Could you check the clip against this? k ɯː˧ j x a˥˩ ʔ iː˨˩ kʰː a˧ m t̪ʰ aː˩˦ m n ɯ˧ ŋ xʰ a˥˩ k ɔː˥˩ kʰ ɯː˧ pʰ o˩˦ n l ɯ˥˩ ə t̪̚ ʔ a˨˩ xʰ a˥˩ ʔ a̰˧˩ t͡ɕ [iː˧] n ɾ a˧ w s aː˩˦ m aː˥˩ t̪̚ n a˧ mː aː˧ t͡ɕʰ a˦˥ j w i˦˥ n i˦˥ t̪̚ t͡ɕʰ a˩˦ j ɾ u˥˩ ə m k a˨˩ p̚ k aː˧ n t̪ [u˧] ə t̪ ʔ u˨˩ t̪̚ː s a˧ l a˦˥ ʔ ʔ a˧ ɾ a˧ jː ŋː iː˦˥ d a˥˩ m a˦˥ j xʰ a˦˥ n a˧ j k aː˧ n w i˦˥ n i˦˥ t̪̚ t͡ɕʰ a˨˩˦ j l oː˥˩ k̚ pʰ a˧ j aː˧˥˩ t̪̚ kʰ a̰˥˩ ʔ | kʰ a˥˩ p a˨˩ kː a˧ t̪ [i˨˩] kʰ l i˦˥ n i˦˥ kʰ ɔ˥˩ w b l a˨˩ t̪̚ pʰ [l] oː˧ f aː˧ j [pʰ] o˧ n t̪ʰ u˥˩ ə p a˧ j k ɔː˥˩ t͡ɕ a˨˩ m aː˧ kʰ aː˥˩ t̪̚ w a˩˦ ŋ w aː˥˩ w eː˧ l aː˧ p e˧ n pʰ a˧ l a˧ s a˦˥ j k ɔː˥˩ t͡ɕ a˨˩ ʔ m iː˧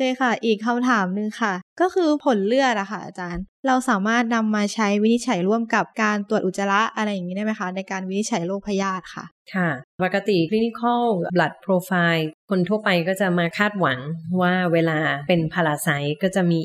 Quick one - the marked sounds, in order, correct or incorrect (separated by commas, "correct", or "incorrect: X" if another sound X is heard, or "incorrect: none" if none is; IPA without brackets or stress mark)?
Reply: incorrect: aː˧, incorrect: u˨˩, correct, incorrect: ɾ, incorrect: kʰ